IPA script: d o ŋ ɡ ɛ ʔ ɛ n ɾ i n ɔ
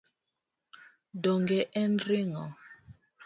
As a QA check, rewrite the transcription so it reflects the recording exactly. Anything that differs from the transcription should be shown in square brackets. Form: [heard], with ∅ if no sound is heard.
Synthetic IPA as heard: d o ŋ ɡ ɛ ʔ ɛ n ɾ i [ŋ] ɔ

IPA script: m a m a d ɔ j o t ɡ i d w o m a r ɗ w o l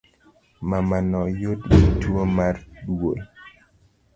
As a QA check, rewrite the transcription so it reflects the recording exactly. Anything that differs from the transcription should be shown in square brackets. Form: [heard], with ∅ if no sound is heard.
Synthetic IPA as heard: m a m a [n] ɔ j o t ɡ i [t] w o m a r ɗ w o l

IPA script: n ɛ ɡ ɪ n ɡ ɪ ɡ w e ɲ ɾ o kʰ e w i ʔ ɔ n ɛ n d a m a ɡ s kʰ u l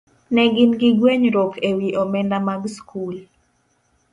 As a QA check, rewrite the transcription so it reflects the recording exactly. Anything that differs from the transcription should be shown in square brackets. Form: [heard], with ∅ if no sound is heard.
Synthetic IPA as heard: n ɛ ɡ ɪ n ɡ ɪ ɡ w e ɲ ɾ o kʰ e w i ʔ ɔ [m] ɛ n d a m a ɡ s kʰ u l

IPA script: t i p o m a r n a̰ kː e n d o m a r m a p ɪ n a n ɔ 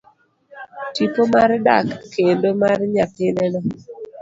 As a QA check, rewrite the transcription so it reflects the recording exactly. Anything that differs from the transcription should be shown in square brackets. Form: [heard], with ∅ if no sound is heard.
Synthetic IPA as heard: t i p o m a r [d] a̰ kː e n d o m a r [ɲ] a p ɪ n [ɛ] n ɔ

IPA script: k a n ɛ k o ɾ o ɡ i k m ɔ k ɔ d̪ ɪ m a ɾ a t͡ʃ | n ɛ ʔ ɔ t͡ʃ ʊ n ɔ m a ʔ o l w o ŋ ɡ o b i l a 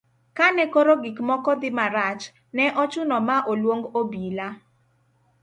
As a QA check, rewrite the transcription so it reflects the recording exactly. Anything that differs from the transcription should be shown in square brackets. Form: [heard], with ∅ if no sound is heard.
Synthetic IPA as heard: k a n ɛ k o ɾ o ɡ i k m ɔ k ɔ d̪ ɪ m a ɾ a t͡ʃ | n ɛ ʔ ɔ t͡ʃ ʊ n ɔ m a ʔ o l w o ŋ ɡ o b i l a

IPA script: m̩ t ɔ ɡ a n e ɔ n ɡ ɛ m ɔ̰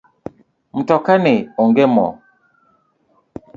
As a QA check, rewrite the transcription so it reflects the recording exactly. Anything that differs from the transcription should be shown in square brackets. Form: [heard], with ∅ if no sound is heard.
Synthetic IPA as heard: m̩ t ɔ [k] a n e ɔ [ŋ] ɡ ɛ m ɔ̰

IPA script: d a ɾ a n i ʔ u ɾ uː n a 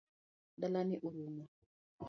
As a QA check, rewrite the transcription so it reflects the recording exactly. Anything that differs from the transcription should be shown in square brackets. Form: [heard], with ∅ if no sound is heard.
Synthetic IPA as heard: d a [l] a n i ʔ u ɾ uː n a

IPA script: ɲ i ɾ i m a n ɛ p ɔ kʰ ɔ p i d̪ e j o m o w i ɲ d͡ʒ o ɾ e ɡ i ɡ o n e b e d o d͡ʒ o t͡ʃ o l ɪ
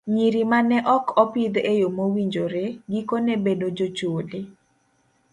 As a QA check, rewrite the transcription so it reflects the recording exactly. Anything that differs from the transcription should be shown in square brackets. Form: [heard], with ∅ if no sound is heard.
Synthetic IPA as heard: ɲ i ɾ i m a n ɛ [ʔ] ɔ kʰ ɔ p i d̪ e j o m o w i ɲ d͡ʒ o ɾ e ɡ i [k] o n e b e d o d͡ʒ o t͡ʃ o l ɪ

